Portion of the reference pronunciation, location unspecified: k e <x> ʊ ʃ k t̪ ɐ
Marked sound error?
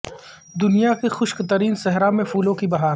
no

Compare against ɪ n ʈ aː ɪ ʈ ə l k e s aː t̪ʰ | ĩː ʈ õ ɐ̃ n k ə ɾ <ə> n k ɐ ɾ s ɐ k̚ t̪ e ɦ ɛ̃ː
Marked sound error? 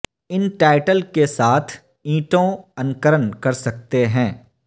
no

